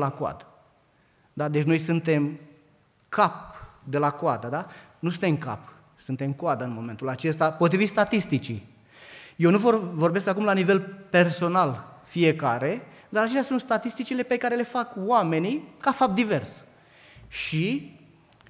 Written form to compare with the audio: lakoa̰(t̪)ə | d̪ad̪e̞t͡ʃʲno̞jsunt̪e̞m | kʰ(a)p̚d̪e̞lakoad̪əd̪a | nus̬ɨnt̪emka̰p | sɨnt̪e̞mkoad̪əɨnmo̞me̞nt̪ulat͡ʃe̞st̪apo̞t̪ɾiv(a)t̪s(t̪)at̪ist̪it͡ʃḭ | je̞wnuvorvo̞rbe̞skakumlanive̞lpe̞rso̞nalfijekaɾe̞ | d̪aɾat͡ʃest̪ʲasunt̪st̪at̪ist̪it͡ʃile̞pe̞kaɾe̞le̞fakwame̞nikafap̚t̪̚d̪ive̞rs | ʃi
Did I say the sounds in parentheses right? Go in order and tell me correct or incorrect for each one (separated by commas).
incorrect, correct, incorrect, correct